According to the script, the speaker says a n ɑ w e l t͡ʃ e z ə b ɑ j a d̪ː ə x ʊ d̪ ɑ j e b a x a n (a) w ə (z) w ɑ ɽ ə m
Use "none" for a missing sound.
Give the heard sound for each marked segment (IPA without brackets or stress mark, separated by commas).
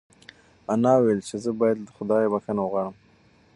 a, ɣ